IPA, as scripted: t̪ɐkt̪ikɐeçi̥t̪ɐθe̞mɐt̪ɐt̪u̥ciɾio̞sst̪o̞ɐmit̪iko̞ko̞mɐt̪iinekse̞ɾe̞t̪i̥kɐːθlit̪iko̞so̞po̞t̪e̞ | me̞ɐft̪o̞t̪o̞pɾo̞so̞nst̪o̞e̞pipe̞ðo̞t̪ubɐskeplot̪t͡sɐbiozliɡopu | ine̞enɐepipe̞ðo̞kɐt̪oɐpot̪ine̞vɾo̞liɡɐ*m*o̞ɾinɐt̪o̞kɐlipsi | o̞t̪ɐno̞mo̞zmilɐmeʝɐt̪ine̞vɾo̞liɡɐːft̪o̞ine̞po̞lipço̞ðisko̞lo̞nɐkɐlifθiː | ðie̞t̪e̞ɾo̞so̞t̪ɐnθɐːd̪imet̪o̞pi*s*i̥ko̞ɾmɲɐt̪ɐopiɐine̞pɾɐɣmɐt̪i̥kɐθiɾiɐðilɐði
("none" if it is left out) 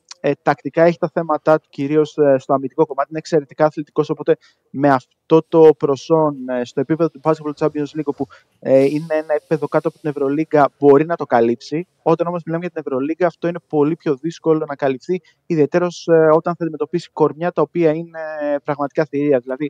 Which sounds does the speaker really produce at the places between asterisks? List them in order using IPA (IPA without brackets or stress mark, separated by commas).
b, s